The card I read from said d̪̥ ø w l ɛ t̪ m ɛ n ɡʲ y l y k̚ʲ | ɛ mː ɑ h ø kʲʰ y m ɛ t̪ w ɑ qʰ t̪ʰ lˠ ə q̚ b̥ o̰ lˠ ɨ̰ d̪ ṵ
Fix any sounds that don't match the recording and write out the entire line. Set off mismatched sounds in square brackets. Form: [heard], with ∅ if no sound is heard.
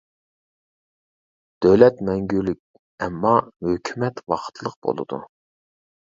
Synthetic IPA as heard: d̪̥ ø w l ɛ t̪ m ɛ [ŋ] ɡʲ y l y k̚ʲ | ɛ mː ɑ h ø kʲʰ y m ɛ t̪ w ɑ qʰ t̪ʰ lˠ ə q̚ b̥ o̰ lˠ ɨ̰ d̪ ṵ